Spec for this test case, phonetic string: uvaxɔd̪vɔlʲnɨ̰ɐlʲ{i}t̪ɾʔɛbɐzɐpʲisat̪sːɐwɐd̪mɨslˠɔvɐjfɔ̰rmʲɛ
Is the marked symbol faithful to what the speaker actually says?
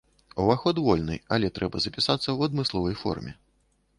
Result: no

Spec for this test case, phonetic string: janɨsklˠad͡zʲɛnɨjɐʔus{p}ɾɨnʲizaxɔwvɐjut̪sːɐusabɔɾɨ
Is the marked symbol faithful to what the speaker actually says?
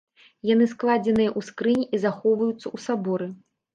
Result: no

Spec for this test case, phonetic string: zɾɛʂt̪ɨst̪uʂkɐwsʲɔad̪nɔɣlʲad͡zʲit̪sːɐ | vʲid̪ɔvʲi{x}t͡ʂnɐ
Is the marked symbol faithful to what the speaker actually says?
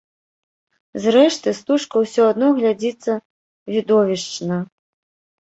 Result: no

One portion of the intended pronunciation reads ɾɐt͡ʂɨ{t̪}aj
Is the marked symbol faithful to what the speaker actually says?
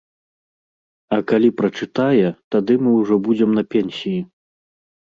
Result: yes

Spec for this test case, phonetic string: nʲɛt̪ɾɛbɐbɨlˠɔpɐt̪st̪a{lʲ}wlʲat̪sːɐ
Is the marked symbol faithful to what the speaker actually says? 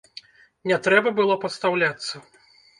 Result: no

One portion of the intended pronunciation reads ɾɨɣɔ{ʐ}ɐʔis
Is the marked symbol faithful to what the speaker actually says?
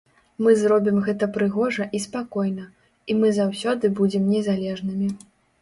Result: yes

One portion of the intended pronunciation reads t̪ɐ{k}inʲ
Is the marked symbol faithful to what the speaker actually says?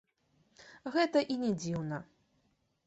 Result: no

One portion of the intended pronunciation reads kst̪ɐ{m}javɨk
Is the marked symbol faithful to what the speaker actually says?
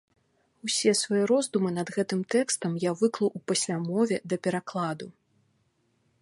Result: yes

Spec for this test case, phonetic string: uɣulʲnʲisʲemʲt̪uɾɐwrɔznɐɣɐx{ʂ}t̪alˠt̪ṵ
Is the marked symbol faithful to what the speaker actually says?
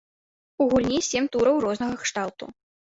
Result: yes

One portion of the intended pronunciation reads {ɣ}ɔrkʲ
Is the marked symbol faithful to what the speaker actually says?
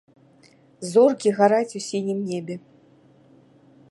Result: no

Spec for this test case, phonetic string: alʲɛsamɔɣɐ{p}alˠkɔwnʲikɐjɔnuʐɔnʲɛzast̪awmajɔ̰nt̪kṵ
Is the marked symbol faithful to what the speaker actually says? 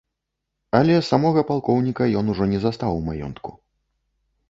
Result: yes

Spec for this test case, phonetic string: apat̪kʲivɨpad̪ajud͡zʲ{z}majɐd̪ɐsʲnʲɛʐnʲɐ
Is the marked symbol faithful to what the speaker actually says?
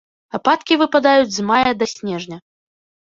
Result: yes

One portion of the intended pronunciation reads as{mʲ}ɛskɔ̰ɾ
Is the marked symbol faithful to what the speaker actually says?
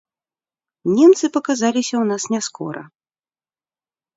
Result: no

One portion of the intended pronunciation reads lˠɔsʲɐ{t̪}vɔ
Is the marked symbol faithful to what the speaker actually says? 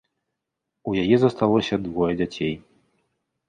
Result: no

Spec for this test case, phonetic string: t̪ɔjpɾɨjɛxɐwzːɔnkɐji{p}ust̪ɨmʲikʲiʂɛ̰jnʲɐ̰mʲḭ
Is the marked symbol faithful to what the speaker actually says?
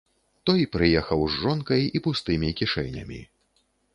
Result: yes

